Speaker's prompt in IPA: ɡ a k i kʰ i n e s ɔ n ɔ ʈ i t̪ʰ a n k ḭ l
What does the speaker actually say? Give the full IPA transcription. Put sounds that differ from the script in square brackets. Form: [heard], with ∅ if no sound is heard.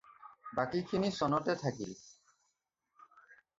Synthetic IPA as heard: [b] a k i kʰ i n [i] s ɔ n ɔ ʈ [e] t̪ʰ a [∅] k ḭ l